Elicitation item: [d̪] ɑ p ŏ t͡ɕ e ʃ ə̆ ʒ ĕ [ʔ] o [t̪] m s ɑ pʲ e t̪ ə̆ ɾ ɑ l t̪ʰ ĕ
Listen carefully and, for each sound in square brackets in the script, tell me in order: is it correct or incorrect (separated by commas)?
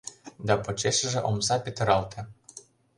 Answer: correct, correct, incorrect